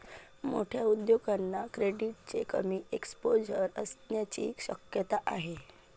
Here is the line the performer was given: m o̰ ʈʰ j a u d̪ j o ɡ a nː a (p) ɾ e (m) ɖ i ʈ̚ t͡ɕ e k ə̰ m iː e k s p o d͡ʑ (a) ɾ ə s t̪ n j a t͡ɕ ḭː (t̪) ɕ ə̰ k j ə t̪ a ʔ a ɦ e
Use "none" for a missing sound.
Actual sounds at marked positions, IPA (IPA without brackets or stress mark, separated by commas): k, none, ə, none